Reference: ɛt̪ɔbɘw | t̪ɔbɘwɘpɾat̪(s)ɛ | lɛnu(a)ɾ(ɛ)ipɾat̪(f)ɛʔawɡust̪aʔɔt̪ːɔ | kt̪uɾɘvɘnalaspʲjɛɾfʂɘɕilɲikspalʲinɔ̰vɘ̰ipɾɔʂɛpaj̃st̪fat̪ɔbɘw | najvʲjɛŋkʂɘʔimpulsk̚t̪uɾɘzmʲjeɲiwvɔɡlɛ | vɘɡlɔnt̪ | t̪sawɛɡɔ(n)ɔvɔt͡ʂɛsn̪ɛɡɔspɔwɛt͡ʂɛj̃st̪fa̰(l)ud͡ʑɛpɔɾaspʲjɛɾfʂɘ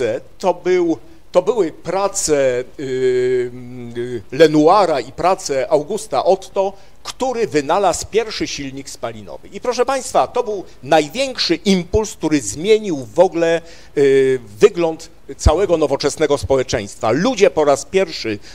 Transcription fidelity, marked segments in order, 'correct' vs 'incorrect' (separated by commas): correct, correct, incorrect, incorrect, correct, correct